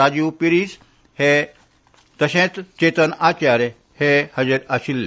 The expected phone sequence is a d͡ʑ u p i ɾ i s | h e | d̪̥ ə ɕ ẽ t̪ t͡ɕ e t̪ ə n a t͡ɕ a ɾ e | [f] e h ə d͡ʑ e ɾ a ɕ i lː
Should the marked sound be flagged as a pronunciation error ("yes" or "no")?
yes